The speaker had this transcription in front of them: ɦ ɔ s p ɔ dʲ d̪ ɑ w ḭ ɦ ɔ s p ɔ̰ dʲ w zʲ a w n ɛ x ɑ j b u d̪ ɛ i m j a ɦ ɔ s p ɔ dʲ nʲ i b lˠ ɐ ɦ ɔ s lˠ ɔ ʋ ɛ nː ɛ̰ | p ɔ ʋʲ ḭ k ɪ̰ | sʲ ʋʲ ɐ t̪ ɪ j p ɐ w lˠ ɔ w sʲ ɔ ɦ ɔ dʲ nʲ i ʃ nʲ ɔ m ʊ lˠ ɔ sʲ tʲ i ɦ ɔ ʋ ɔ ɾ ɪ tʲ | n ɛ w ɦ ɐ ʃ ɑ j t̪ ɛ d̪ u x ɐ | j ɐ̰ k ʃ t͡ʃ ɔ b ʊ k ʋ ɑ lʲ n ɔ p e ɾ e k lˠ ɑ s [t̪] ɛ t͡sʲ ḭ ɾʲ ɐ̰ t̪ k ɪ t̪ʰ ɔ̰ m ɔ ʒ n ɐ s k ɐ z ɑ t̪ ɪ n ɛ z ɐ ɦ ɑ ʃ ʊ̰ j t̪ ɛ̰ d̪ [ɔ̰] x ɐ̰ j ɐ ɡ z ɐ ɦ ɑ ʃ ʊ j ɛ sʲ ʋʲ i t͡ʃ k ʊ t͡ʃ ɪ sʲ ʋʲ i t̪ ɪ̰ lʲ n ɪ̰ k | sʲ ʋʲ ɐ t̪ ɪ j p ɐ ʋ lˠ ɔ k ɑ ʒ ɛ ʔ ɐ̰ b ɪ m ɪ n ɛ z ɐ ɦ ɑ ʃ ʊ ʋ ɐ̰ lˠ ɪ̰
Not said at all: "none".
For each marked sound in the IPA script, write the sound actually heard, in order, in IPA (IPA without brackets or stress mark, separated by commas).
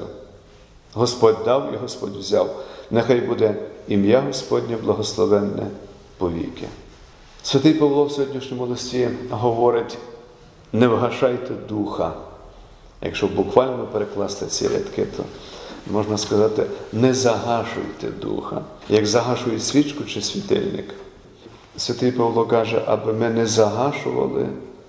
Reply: t̪, ṵ